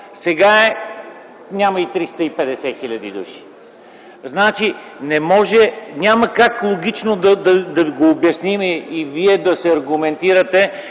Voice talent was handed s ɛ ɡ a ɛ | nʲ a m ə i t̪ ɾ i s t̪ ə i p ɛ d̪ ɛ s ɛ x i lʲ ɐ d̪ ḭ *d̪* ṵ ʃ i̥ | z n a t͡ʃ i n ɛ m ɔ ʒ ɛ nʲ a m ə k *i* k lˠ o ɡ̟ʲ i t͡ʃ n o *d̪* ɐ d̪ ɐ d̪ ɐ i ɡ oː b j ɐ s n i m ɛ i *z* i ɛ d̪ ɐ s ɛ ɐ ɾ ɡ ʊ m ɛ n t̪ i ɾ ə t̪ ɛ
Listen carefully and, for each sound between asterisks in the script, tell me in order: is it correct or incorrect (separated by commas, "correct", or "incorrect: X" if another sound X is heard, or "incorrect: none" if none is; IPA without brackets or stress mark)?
correct, incorrect: a, correct, incorrect: v